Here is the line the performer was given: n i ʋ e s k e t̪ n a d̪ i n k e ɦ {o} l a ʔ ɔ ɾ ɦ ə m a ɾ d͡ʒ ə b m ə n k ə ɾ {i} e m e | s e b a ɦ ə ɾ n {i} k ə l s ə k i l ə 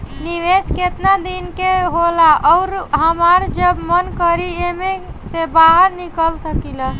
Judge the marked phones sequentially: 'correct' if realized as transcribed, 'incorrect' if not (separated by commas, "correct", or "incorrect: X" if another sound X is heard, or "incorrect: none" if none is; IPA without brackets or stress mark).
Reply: correct, correct, correct